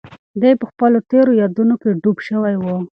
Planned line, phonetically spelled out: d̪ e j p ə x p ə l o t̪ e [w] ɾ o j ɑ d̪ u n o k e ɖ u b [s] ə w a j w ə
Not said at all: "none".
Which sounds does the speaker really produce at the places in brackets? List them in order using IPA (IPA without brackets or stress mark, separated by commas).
none, ʃ